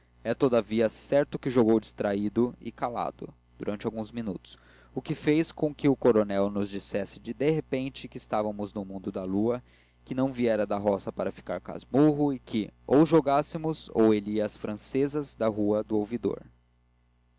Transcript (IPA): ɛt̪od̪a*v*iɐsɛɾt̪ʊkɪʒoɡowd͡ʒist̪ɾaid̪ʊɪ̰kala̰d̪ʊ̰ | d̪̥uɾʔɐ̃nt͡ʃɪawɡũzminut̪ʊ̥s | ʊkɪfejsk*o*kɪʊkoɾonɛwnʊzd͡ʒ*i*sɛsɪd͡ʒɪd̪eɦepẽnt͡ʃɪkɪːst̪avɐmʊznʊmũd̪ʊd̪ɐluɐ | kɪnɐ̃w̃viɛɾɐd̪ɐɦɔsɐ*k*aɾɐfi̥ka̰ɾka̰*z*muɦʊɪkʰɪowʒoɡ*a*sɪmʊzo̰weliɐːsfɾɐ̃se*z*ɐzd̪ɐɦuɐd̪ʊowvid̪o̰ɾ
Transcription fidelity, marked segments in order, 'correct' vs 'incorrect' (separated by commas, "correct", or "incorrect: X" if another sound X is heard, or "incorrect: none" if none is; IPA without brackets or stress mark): correct, incorrect: õ, correct, incorrect: p, correct, correct, correct